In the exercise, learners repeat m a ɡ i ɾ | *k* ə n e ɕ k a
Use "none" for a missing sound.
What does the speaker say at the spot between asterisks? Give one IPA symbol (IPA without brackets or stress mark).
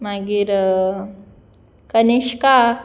k